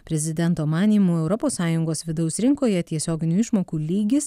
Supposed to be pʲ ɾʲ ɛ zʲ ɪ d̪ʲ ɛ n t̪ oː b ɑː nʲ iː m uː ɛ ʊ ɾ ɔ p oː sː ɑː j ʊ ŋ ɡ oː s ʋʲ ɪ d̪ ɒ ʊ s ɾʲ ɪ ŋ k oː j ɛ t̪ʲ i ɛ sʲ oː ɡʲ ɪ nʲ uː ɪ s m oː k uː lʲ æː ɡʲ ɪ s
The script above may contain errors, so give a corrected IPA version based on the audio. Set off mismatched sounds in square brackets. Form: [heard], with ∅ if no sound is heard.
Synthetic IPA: pʲ ɾʲ ɛ zʲ ɪ d̪ʲ ɛ n t̪ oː [m] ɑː nʲ iː m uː ɛ ʊ ɾ ɔ p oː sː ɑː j ʊ ŋ ɡ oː s ʋʲ ɪ d̪ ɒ ʊ s ɾʲ ɪ ŋ k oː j ɛ t̪ʲ i ɛ sʲ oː ɡʲ ɪ nʲ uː ɪ [ʃ] m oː k uː lʲ [iː] ɡʲ ɪ s